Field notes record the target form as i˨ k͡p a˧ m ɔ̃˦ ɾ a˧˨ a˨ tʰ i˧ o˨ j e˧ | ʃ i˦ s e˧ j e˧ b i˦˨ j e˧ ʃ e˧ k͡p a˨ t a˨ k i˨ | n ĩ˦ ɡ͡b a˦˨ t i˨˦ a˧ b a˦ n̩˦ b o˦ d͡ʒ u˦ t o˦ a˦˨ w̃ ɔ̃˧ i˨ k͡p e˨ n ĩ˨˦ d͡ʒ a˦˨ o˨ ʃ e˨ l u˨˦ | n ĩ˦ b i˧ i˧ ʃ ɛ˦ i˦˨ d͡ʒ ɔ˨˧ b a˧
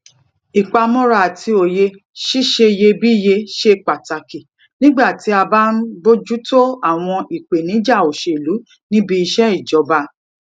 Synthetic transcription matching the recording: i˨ k͡p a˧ m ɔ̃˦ ɾ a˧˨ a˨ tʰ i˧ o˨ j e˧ | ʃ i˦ ʃ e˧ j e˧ b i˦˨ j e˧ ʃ e˧ k͡p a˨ t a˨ k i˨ | n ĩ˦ ɡ͡b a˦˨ t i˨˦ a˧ b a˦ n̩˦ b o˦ d͡ʒ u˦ t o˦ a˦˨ w̃ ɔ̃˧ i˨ k͡p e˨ n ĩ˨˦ d͡ʒ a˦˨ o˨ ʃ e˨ l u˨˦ | n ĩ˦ b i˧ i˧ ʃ ɛ˦ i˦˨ d͡ʒ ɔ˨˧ b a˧